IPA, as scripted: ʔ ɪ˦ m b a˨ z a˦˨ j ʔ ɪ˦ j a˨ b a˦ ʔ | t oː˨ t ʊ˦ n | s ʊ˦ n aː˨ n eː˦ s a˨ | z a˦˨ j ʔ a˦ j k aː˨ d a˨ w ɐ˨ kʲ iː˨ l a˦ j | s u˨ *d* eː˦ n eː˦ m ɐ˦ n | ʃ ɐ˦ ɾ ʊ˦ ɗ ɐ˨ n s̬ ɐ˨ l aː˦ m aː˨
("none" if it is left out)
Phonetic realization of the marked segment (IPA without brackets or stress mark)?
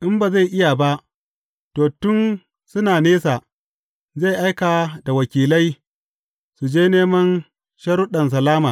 d͡ʒ